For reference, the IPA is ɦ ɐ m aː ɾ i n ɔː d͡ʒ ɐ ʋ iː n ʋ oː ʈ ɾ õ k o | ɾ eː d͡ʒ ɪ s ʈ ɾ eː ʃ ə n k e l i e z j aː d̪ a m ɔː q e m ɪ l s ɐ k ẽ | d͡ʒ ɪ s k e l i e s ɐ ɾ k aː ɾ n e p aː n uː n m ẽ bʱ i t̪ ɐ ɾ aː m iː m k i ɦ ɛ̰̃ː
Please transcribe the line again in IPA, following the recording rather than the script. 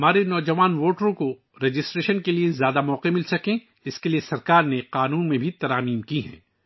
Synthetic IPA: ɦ ɐ m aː ɾ e n ɔː d͡ʒ ɐ ʋ aː n ʋ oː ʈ ɾ õ k o | ɾ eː d͡ʒ ɪ s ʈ ɾ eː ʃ ə n k e l i e z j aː d̪ a m ɔː q e m ɪ l s ɐ k ẽ | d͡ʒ ɪ s k e l i e s ɐ ɾ k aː ɾ n e q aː n uː n m ẽ bʱ i t̪ ɐ ɾ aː m iː m k i ɦ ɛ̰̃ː